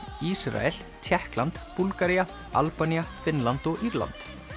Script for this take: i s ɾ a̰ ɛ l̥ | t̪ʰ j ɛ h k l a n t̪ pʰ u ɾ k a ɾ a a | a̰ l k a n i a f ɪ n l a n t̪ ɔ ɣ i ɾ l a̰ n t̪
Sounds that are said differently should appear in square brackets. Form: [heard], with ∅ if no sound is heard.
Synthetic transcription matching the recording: i s ɾ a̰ ɛ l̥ | t̪ʰ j ɛ h k l a n t̪ [p] u [l] k a ɾ [i] a | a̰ l [p] a n i a f ɪ n l a n t̪ ɔ ɣ i ɾ l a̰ n t̪